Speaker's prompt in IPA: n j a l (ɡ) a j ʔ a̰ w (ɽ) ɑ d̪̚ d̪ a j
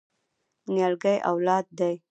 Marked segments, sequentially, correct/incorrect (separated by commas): correct, incorrect